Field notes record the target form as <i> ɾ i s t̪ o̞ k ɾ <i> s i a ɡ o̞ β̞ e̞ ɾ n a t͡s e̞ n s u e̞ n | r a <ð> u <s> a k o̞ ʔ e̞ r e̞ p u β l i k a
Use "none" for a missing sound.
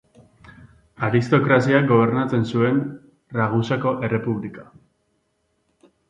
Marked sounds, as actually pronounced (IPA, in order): a, a, ɣ, s

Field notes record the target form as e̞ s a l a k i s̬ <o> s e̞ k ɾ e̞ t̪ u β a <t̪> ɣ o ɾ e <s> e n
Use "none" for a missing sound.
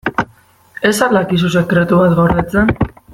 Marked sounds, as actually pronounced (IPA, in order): u, t̪, t͡s

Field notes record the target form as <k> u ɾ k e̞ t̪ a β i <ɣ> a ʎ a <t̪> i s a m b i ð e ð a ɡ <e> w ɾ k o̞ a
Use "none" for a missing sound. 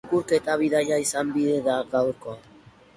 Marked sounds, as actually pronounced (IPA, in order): k, ð, none, a

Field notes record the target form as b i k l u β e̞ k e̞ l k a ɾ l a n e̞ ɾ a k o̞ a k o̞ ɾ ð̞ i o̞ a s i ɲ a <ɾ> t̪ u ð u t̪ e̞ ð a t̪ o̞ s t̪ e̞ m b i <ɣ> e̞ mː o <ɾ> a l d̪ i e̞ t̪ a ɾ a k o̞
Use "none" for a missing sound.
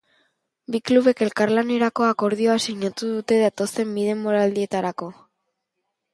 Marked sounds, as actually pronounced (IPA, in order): none, ð, ɾ

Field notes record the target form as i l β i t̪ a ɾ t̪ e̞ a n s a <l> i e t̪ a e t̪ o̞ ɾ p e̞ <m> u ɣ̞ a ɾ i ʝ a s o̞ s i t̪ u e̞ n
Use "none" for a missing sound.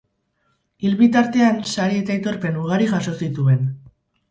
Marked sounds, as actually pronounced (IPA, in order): ɾ, n

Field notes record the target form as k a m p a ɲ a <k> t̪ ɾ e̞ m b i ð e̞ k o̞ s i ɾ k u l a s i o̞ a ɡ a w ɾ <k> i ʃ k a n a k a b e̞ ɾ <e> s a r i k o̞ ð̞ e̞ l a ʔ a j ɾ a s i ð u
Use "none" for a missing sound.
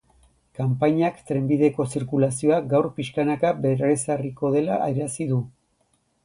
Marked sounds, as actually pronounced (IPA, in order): k, p, e

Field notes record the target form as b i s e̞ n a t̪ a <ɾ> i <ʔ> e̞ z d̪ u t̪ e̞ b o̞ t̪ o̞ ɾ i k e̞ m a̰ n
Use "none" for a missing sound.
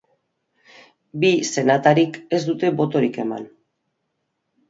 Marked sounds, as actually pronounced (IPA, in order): ɾ, k

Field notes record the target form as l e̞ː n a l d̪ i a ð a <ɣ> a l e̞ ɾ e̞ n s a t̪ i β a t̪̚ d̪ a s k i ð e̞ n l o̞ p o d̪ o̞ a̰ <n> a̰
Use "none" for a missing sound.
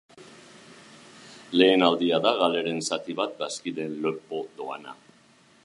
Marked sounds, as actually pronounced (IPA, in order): ɣ, n

